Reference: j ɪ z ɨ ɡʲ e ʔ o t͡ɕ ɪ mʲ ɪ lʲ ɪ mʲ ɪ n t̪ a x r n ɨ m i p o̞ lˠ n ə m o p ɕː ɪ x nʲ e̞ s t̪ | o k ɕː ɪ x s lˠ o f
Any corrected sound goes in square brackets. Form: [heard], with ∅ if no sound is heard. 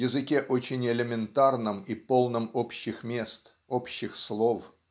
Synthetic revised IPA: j ɪ z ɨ [kʲ] e ʔ o t͡ɕ ɪ [nʲ] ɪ lʲ ɪ mʲ ɪ n t̪ a [∅] r n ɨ m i p o̞ lˠ n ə m o p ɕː ɪ x [mʲ] e̞ s t̪ | o [p] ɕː ɪ x s lˠ o f